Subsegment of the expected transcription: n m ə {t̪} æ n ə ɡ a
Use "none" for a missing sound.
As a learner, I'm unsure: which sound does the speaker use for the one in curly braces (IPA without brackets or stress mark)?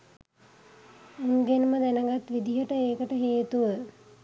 d̪